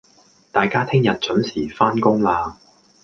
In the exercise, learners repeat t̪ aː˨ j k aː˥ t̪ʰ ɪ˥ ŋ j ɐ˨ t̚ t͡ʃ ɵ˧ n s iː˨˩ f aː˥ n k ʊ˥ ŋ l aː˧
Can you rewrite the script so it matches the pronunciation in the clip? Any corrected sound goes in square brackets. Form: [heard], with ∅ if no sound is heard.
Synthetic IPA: t̪ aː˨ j k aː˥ t̪ʰ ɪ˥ ŋ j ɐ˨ t̚ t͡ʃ [ɵ˨˥] n s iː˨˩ f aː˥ n k ʊ˥ ŋ l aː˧